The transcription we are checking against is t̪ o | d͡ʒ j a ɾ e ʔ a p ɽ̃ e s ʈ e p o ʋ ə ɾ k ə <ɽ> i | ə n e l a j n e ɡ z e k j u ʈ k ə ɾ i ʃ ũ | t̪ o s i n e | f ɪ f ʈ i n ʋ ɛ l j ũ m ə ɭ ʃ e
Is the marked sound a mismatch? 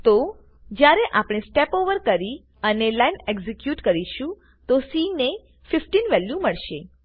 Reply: yes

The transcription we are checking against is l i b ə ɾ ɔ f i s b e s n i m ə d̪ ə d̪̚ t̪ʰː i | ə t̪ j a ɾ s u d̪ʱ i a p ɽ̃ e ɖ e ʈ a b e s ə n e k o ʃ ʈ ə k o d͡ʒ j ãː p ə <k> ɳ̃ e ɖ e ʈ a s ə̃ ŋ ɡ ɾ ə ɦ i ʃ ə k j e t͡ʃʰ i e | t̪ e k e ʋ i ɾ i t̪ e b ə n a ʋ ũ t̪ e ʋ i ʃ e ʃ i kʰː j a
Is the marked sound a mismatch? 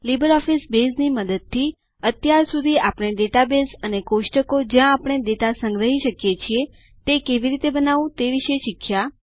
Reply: yes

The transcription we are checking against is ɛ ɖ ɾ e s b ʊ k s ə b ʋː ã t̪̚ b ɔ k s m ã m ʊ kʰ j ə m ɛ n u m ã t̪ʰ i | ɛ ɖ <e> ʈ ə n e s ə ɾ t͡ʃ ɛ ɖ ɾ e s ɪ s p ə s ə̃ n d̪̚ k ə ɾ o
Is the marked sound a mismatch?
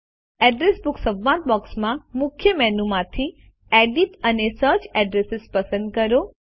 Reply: yes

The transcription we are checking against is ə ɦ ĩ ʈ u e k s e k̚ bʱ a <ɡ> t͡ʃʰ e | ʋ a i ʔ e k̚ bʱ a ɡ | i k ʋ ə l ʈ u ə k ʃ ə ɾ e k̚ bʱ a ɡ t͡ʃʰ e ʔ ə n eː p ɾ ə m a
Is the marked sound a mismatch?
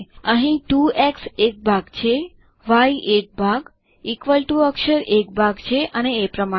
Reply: no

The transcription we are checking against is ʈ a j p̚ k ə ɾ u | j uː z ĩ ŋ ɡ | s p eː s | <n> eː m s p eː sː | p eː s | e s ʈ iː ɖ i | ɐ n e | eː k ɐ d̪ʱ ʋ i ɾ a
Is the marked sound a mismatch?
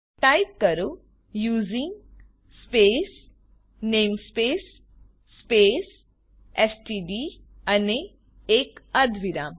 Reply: no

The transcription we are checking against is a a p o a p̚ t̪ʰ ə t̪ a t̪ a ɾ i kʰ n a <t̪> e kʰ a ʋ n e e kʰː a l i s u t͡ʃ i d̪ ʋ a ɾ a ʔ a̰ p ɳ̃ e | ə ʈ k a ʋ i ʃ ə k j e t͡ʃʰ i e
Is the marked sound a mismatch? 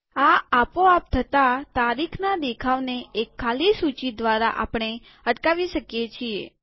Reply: yes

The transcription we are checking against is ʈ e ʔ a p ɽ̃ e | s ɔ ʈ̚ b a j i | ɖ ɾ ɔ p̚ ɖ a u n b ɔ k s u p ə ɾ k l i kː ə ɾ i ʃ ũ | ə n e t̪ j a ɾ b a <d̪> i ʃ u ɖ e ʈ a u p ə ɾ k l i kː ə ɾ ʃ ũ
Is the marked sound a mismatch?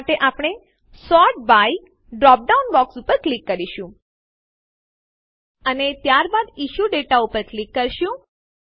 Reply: no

